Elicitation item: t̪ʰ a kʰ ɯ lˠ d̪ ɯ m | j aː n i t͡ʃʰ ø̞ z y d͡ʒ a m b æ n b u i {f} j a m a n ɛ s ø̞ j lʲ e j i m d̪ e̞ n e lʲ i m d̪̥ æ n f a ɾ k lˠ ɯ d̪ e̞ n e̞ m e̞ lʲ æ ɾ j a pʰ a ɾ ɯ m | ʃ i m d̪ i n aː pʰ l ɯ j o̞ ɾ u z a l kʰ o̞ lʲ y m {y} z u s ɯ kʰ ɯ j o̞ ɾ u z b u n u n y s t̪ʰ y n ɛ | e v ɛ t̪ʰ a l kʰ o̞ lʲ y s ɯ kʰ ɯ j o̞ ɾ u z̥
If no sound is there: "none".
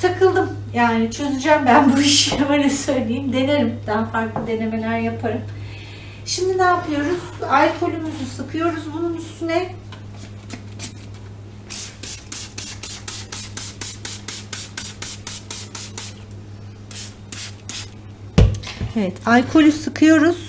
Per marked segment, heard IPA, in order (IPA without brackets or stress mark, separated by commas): ʃ, y